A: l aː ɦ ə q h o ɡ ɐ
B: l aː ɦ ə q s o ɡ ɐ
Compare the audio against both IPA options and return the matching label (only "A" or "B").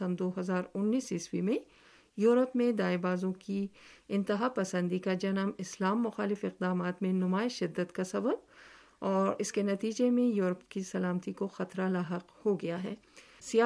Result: A